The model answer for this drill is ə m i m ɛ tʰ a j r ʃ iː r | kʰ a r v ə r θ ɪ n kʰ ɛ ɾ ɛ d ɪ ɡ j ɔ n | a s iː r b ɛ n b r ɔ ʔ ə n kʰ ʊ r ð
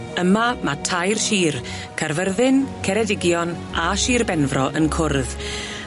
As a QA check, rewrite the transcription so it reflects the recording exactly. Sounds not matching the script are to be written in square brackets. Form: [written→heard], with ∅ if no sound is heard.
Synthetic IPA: ə m [i→a] m [ɛ→a] tʰ a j r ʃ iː r | kʰ a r v ə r [θ→ð] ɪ n kʰ ɛ ɾ ɛ d ɪ ɡ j ɔ n | a [s→ʃ] iː r b ɛ n [b→v] r ɔ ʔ ə n kʰ ʊ r ð